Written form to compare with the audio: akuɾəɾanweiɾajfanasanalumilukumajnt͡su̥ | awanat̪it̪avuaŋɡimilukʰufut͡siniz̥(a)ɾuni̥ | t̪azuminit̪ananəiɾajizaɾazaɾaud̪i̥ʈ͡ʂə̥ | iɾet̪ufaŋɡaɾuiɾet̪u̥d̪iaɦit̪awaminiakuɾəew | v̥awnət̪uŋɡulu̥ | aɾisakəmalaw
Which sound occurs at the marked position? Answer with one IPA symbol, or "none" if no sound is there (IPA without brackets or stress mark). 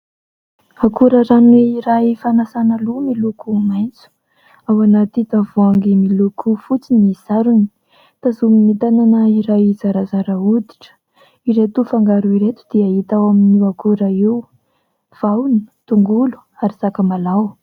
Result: a